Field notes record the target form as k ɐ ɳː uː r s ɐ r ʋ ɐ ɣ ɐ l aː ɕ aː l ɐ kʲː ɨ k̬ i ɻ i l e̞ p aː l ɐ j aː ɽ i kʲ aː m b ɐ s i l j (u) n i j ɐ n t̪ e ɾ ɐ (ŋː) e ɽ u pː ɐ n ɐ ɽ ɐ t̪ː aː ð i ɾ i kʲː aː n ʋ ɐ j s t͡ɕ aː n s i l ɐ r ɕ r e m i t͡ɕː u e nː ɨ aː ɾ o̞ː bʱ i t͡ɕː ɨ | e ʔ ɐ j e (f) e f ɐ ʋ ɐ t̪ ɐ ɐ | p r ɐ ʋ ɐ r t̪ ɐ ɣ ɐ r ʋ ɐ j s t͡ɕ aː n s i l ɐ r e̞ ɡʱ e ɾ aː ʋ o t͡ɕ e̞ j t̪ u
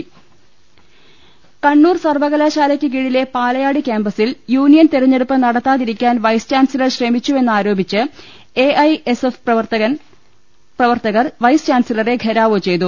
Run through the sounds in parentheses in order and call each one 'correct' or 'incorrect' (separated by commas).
incorrect, incorrect, incorrect